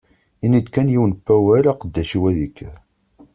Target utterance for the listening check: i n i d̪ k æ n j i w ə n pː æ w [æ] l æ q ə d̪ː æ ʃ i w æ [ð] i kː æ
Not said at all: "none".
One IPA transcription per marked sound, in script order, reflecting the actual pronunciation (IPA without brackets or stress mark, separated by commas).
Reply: æ, ð